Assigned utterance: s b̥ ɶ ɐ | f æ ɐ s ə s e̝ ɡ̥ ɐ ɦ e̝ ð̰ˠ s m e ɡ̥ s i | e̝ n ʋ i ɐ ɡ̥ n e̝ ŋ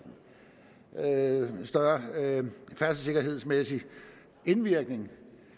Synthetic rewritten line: s d̥ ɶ ɐ | f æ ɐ s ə s e̝ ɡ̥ ɐ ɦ e̝ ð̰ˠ s m e s i | e̝ n ʋ i ɐ ɡ̥ n e̝ ŋ